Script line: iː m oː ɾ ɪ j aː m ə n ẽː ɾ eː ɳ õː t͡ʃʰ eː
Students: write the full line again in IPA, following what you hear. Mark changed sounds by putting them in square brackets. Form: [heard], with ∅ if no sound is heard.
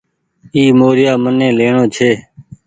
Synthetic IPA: iː m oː ɾ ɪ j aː m ə n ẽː [l] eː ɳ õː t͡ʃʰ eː